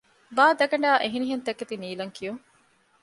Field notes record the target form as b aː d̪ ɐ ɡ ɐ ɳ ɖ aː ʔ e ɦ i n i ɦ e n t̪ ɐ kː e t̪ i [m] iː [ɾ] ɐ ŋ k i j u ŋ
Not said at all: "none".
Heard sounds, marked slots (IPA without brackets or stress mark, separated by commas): n, l